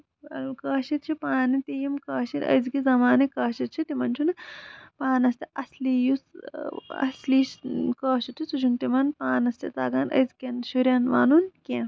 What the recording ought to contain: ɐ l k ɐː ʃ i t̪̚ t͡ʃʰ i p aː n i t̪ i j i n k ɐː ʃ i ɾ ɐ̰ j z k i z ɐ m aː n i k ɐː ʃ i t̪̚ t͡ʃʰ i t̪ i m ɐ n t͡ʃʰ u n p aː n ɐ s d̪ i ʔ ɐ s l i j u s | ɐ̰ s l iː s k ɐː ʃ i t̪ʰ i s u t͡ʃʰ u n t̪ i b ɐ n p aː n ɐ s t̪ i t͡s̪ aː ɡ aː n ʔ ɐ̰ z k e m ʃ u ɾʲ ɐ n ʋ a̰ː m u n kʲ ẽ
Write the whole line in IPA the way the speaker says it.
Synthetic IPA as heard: ɐ l k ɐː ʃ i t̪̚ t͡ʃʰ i p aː n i t̪ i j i m k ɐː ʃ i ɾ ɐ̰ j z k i z ɐ m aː n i k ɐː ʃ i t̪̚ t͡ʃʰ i t̪ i m ɐ n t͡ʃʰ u n p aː n ɐ s t̪ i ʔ ɐ s l i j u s | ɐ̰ s l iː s k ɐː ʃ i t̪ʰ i s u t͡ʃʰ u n t̪ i m ɐ n p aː n ɐ s t̪ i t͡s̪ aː ɡ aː n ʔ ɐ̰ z k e n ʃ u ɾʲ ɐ n ʋ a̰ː n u n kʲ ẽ